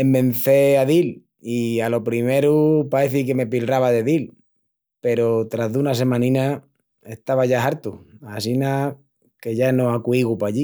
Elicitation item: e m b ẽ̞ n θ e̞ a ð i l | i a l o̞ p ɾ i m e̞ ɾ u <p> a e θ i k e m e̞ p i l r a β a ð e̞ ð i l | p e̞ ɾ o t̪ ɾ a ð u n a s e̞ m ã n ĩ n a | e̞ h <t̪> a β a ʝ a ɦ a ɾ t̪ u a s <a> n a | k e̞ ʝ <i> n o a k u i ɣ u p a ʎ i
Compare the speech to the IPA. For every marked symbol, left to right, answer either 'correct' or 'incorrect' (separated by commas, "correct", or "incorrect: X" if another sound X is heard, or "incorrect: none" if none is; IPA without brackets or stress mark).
correct, correct, incorrect: i, incorrect: a